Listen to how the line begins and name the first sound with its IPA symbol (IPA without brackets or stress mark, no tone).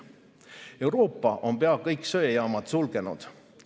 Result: e̞